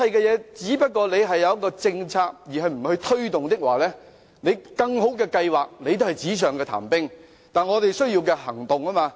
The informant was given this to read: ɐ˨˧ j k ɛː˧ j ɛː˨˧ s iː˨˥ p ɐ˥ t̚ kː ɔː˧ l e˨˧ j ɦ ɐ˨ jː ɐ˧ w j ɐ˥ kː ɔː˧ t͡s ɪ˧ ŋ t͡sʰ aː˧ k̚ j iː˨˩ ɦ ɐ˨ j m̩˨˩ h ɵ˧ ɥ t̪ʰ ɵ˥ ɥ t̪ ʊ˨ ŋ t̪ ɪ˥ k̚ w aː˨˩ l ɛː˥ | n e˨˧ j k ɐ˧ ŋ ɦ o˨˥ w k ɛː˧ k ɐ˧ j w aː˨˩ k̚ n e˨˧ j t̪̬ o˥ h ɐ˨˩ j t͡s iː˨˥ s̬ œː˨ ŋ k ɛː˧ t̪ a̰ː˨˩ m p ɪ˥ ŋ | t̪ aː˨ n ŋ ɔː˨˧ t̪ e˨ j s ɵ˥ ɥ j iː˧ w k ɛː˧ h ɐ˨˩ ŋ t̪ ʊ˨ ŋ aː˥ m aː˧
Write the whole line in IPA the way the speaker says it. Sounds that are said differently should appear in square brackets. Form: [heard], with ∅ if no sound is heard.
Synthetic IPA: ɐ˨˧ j k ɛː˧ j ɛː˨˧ [t͡s] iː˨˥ p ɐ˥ t̚ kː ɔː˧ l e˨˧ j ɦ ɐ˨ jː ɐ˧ w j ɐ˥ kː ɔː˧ t͡s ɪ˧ ŋ t͡sʰ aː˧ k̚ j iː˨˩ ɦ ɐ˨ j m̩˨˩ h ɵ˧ ɥ t̪ʰ ɵ˥ ɥ t̪ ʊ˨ ŋ t̪ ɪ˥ k̚ w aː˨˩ l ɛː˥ | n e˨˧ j k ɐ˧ ŋ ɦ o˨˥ w k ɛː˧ k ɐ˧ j w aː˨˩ k̚ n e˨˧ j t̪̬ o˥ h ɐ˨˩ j t͡s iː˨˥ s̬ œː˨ ŋ k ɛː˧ [t̪ʰ] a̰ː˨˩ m p ɪ˥ ŋ | t̪ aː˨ n ŋ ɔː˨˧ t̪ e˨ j s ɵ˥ ɥ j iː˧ w k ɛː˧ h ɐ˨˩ ŋ t̪ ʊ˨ ŋ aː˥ m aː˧

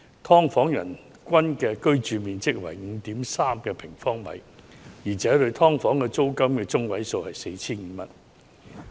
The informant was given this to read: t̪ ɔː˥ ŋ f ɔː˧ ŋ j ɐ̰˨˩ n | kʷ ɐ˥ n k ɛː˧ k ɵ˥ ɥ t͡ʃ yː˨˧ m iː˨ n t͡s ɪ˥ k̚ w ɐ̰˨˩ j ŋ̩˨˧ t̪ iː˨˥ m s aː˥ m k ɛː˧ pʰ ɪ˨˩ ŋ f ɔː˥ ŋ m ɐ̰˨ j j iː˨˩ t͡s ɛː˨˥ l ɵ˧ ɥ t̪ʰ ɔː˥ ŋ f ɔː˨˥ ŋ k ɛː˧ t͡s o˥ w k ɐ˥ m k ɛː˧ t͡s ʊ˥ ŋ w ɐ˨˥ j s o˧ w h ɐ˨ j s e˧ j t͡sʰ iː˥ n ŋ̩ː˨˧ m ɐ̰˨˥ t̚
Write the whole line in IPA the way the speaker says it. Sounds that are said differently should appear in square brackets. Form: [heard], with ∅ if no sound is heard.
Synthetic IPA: [t̪ʰ] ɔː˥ ŋ f [ɔː˨˥] ŋ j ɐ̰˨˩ n | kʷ ɐ˥ n k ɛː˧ k ɵ˥ ɥ t͡ʃ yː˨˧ m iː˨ n t͡s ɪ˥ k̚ w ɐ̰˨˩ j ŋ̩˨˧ t̪ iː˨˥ m s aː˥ m k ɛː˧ pʰ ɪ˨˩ ŋ f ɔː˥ ŋ m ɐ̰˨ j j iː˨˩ t͡s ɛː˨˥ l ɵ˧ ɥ t̪ʰ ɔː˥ ŋ f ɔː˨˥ ŋ k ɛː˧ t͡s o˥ w k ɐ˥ m k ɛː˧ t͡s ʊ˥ ŋ w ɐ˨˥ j s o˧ w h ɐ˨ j s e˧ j t͡sʰ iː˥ n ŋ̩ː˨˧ m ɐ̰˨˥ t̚

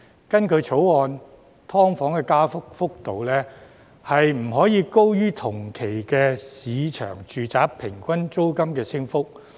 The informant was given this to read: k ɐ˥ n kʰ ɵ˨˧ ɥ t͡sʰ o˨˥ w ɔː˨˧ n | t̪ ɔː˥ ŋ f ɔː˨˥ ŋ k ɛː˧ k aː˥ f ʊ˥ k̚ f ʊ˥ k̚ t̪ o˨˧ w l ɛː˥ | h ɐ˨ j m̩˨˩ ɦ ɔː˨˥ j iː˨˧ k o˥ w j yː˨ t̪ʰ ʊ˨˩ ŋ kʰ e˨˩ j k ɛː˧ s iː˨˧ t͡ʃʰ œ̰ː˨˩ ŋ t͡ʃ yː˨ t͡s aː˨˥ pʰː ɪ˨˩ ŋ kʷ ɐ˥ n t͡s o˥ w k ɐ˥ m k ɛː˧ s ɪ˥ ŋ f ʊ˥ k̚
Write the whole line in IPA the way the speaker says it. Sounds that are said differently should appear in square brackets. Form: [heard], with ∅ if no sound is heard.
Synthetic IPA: k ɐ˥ n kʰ ɵ˨˧ ɥ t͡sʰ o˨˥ w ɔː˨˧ n | [t̪ʰ] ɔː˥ ŋ f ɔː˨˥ ŋ k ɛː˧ k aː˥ f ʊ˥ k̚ f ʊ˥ k̚ t̪ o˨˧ w l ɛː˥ | h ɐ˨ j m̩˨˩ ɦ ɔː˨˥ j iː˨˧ k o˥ w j [yː˥] t̪ʰ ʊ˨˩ ŋ kʰ e˨˩ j k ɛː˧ s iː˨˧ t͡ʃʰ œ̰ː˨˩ ŋ t͡ʃ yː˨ t͡s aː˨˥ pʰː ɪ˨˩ ŋ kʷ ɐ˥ n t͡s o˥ w k ɐ˥ m k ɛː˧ s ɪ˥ ŋ f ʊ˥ k̚

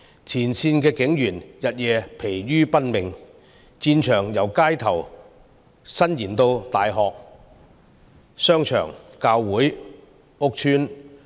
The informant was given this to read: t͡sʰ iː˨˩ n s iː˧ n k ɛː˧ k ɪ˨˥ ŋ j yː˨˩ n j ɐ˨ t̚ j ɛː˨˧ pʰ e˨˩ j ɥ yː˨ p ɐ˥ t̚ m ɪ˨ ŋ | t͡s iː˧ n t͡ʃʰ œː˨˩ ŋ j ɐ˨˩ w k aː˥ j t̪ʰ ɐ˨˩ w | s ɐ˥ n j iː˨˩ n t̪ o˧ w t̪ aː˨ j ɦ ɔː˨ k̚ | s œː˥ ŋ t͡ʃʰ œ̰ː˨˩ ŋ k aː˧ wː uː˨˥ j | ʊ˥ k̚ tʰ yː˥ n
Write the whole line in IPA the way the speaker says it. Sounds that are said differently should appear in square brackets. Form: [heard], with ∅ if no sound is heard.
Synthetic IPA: t͡sʰ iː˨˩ n s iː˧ n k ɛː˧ k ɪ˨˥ ŋ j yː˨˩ n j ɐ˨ t̚ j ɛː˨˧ pʰ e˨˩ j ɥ [yː˥] p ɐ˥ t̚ m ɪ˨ ŋ | t͡s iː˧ n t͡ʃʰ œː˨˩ ŋ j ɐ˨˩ w k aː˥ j t̪ʰ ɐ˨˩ w | s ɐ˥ n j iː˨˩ n t̪ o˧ w t̪ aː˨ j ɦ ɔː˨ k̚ | s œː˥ ŋ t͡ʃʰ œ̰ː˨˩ ŋ k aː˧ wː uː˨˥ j | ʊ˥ k̚ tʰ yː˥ n

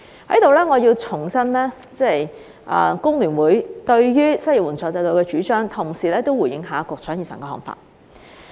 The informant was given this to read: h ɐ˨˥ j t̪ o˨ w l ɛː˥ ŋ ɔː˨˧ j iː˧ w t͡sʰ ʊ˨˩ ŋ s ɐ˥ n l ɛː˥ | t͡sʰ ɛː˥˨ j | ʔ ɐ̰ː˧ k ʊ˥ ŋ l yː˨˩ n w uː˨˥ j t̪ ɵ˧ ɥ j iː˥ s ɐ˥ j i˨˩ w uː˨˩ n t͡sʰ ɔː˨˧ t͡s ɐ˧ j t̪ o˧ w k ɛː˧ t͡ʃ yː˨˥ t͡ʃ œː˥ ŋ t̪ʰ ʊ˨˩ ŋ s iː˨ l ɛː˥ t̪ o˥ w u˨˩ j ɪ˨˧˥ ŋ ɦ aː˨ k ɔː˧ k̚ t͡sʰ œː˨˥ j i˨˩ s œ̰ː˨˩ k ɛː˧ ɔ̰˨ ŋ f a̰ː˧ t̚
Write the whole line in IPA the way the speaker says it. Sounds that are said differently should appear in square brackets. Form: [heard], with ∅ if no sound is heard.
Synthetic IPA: h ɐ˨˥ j t̪ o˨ w l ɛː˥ ŋ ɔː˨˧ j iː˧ w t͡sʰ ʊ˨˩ ŋ s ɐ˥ n l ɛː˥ | [t͡s] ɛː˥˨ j | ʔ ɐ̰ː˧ k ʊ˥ ŋ l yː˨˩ n w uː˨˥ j t̪ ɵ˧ ɥ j [yː˥] s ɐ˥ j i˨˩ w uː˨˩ n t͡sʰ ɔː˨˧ t͡s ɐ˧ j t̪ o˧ w k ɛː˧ t͡ʃ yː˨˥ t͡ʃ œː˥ ŋ t̪ʰ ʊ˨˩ ŋ s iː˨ l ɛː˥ t̪ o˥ w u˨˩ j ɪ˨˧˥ ŋ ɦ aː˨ k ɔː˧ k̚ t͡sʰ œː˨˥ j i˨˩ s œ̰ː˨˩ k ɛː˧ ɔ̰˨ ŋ f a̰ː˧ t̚

